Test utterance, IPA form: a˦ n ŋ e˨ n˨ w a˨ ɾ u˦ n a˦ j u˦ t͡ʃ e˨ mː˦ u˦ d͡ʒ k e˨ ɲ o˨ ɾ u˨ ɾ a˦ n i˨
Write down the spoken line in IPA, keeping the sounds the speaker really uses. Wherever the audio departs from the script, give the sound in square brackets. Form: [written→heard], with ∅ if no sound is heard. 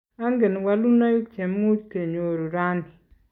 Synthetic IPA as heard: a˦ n [ŋ→ɡ] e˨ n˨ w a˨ [ɾ→l] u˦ n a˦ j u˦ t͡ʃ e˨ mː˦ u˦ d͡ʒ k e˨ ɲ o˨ ɾ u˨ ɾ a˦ n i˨